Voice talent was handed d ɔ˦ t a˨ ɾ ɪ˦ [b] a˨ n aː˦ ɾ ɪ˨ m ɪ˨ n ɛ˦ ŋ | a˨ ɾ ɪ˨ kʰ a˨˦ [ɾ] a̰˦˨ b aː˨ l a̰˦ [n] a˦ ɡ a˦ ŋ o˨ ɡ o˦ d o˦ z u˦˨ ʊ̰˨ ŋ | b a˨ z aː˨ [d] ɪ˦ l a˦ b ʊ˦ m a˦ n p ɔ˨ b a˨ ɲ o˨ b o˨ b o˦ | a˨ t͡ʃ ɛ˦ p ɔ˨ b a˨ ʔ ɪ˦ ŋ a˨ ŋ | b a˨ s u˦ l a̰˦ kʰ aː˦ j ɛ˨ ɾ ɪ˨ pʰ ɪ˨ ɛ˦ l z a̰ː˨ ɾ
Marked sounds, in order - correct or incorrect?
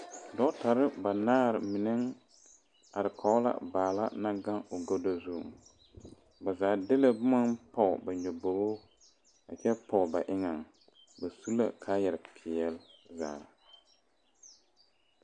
correct, incorrect, correct, correct

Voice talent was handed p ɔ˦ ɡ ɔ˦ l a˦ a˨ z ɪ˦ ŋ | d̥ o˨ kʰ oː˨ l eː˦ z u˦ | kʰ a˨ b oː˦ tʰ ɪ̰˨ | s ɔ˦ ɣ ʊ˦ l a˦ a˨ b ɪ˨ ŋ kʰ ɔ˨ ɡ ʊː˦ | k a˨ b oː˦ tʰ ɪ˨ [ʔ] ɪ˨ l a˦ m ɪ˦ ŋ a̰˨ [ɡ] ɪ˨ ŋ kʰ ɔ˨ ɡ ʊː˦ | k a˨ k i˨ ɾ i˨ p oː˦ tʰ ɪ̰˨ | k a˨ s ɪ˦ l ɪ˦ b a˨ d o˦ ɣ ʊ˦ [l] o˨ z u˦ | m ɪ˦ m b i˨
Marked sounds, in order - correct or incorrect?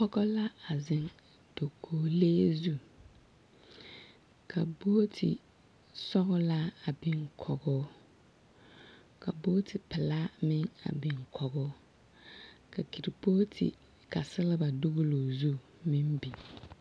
incorrect, incorrect, correct

